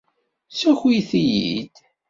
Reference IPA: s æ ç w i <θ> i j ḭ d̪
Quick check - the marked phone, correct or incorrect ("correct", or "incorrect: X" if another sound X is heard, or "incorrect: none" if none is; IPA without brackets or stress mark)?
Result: correct